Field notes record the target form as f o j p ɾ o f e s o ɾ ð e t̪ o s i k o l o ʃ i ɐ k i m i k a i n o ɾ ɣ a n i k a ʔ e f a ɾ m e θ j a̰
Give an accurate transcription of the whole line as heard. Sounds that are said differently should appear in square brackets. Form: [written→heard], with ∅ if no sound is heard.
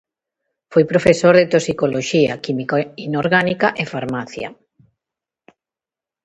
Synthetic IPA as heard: f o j p ɾ o f e s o ɾ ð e t̪ o s i k o l o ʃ i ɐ k i m i k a i n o ɾ ɣ a n i k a ʔ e f a ɾ m [e→a] θ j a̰